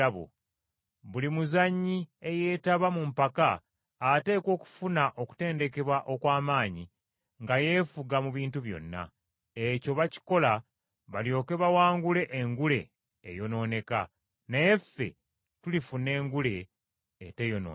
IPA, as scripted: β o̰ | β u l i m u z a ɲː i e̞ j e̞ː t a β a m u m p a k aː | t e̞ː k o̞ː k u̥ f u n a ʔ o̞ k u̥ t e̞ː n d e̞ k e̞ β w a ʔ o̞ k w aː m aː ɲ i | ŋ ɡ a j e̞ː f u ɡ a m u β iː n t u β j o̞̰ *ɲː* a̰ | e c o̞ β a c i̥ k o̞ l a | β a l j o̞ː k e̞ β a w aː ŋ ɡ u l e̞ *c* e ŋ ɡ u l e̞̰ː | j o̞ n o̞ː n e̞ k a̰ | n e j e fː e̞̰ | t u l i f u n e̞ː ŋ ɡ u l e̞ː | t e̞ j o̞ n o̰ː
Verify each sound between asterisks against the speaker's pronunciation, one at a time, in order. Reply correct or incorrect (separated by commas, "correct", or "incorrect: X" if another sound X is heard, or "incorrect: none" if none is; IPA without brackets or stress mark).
incorrect: nː, incorrect: ʔ